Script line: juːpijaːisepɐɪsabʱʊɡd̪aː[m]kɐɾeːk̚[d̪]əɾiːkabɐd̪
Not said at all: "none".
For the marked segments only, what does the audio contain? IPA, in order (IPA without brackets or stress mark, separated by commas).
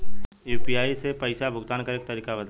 n, t̪